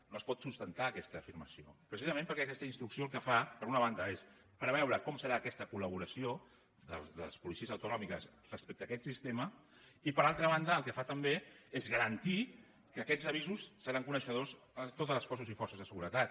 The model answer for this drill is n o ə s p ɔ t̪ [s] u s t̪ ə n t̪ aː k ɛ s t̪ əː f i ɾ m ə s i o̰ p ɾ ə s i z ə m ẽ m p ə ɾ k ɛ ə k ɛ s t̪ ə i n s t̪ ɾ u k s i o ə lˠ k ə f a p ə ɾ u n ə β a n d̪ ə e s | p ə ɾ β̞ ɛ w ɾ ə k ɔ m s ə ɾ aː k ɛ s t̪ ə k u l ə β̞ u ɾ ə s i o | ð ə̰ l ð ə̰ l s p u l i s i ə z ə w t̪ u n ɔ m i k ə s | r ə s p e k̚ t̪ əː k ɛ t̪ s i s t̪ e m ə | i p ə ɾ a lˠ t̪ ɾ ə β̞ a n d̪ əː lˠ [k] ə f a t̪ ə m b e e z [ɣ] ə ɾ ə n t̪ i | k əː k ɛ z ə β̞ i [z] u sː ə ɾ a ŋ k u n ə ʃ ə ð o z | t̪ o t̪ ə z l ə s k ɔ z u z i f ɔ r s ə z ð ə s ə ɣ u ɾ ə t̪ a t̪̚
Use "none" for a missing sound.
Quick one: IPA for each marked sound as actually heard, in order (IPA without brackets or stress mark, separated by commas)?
s, k, ɣ, z